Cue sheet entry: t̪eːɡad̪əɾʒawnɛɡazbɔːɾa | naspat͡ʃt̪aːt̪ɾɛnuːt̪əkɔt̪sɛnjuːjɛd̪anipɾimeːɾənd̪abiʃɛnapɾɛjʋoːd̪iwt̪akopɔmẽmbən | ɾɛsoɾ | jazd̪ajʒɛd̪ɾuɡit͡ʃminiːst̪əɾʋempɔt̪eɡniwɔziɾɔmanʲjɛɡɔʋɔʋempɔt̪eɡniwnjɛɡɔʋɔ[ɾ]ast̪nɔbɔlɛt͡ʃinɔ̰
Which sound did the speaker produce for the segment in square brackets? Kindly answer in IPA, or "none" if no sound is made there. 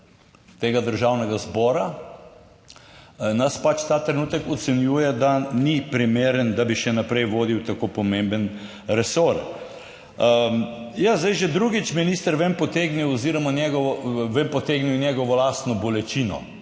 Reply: l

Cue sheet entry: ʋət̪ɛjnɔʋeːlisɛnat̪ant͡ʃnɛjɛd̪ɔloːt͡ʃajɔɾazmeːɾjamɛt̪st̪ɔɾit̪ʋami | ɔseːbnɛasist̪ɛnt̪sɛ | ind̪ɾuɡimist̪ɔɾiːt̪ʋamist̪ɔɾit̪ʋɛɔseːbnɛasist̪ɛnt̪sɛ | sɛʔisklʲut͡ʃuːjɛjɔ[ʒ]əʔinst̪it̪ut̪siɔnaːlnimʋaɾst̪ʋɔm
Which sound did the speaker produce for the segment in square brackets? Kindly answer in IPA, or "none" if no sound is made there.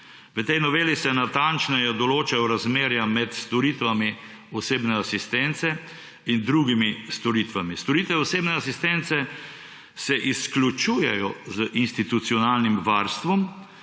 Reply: z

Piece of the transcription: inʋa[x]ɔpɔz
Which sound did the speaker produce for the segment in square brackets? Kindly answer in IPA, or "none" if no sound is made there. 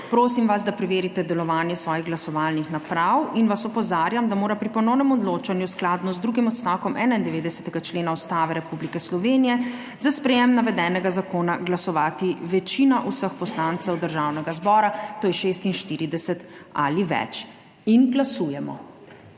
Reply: s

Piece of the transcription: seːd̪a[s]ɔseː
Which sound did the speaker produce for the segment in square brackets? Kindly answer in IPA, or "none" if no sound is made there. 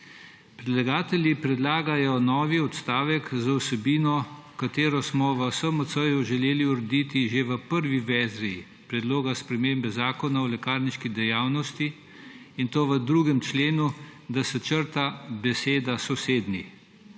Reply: s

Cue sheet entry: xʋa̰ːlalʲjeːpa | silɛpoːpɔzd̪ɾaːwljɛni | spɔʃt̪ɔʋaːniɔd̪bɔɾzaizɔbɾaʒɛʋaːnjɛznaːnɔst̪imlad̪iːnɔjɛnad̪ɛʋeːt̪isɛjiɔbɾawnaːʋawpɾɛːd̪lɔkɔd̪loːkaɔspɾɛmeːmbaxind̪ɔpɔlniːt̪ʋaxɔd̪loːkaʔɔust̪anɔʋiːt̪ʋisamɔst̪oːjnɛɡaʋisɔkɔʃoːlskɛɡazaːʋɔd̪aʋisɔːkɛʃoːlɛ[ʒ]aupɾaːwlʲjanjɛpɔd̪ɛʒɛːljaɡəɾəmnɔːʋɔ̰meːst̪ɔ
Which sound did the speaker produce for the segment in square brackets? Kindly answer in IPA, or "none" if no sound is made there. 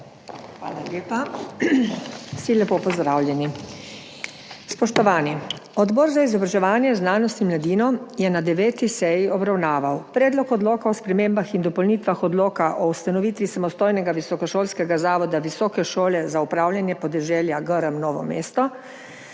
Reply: z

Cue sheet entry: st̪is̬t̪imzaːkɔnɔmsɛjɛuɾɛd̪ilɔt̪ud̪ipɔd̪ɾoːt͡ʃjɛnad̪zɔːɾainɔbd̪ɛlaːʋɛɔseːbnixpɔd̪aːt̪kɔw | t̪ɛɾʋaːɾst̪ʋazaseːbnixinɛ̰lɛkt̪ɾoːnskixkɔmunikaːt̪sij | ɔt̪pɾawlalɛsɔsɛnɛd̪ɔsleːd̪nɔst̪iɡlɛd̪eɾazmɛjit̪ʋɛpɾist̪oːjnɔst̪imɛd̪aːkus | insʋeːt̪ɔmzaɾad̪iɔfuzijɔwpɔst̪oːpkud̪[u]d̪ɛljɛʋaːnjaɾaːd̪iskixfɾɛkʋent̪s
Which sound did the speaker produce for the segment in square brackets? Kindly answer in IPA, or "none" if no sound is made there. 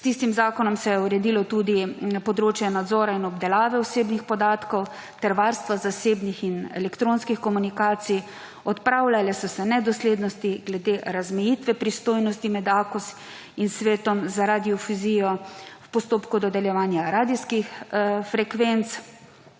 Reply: ɔ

